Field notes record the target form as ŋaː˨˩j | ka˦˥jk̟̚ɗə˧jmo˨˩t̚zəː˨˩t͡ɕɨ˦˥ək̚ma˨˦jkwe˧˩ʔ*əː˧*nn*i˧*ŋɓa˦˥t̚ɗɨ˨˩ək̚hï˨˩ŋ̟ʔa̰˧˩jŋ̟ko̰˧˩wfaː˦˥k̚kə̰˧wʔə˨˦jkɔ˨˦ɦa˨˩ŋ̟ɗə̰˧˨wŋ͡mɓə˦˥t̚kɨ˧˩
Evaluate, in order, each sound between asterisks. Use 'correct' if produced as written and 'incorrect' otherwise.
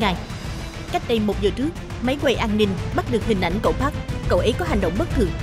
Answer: incorrect, correct

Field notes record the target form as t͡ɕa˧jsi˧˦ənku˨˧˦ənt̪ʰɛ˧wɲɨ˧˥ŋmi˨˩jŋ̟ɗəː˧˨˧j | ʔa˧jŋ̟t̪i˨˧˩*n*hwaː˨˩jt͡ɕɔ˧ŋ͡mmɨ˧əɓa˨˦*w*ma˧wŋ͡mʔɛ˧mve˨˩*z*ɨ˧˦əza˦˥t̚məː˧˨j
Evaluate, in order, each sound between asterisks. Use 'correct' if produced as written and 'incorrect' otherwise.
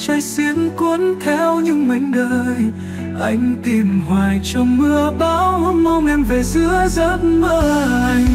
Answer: incorrect, correct, correct

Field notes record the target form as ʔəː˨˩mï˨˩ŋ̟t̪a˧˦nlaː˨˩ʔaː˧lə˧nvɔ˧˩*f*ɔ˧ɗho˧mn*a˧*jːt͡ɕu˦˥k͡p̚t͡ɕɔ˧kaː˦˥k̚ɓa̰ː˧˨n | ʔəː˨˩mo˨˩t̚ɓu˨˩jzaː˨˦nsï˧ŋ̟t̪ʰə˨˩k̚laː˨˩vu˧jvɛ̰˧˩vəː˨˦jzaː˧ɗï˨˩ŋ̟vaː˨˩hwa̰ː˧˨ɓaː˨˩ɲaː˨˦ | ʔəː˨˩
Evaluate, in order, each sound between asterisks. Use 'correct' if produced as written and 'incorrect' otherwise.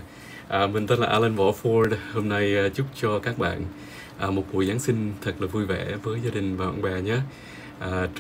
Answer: correct, correct

